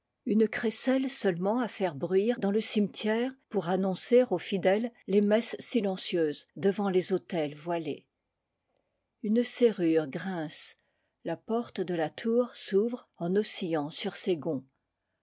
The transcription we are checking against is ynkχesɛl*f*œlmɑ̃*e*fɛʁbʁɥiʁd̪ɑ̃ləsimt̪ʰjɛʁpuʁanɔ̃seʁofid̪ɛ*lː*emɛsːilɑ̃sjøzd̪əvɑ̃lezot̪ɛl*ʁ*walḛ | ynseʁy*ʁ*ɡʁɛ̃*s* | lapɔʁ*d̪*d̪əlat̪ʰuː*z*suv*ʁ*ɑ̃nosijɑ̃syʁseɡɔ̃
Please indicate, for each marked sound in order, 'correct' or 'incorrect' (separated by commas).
incorrect, incorrect, correct, incorrect, correct, correct, incorrect, incorrect, correct